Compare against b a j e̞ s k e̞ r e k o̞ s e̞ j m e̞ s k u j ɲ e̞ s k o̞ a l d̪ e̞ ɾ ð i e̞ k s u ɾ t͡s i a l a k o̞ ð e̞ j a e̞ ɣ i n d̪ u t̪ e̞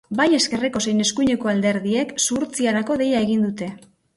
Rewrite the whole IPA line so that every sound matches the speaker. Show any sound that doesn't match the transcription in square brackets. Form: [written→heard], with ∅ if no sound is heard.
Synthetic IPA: b a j e̞ s k e̞ r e k o̞ s e̞ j [m→n] e̞ s k u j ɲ e̞ [s→∅] k o̞ a l d̪ e̞ ɾ ð i e̞ k s u ɾ t͡s i a [l→ɾ] a k o̞ ð e̞ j a e̞ ɣ i n d̪ u t̪ e̞

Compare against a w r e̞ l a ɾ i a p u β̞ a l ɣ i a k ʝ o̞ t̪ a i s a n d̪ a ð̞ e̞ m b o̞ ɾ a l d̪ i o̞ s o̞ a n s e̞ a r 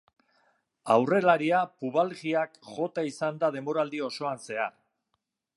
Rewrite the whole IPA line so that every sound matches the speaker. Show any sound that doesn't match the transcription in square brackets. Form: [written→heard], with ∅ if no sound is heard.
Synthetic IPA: a w r e̞ l a ɾ i a p u β̞ a l ɣ i a k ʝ o̞ t̪ a i s a n d̪ a ð̞ e̞ m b o̞ ɾ a l d̪ i o̞ s o̞ a n s e̞ a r

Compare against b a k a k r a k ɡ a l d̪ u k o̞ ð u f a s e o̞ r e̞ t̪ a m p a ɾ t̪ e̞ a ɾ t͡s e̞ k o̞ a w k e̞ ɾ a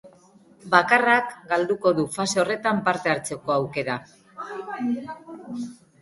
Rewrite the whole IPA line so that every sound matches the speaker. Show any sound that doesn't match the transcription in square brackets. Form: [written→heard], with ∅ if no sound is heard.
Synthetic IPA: b a k a [k→∅] r a k ɡ a l d̪ u k o̞ ð u f a s e o̞ r e̞ t̪ a m p a ɾ t̪ e̞ a ɾ t͡s e̞ k o̞ a w k e̞ ɾ a

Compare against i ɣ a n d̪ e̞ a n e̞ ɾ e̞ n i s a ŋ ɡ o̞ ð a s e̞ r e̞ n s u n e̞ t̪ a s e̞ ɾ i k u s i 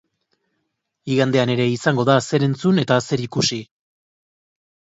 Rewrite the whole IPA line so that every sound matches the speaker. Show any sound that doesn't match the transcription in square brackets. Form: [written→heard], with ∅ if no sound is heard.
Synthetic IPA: i ɣ a n d̪ e̞ a n e̞ ɾ e̞ [n→∅] i s a ŋ ɡ o̞ ð a s e̞ [r→ɾ] e̞ n [s→t͡s] u n e̞ t̪ a s e̞ ɾ i k u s i

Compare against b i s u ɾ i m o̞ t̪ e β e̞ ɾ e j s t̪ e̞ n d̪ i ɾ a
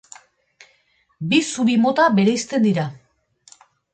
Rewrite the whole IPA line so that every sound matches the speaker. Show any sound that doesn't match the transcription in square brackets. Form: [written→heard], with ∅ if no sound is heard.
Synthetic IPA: b i s u ɾ i m o̞ t̪ [e→a] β e̞ ɾ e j s t̪ e̞ n d̪ i ɾ a

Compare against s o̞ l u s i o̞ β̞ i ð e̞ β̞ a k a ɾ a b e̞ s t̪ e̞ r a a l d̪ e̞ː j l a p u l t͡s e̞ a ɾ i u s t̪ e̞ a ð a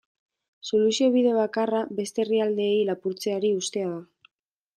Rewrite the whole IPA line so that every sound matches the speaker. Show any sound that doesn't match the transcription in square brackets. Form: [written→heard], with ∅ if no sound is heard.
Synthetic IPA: s o̞ l u s i o̞ β̞ i ð e̞ β̞ a k a [ɾ→r] a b e̞ s t̪ e̞ r [a→i] a l d̪ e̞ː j l a p u [l→ɾ] t͡s e̞ a ɾ i u s t̪ e̞ a ð a

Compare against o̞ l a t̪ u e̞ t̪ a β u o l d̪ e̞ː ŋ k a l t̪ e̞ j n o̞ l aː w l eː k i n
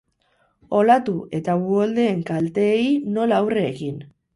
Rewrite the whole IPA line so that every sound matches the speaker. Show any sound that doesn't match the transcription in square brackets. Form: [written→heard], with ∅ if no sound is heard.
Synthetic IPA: o̞ l a t̪ u e̞ t̪ a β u o l d̪ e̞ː ŋ k a l t̪ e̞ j n o̞ l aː w [l→r] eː k i n

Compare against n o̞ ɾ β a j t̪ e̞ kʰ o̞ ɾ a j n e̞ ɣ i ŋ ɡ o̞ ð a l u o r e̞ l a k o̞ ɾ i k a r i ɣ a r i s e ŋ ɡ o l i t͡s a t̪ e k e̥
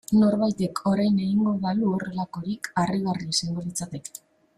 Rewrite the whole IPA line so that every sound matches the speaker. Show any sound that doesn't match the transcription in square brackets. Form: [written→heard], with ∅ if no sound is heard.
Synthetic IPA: n o̞ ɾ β a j t̪ e̞ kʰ o̞ ɾ a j n e̞ ɣ i ŋ ɡ o̞ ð a l u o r e̞ l a k o̞ ɾ i k a r i ɣ a r i s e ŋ ɡ o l i t͡s a t̪ e k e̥

